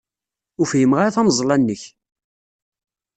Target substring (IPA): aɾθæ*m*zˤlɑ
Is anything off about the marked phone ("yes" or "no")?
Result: no